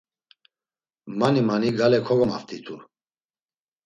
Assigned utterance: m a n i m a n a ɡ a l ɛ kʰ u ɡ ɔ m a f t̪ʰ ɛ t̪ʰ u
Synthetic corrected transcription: m a n i m a n i ɡ a l ɛ kʰ ɔ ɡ ɔ m a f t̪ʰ i t̪ʰ u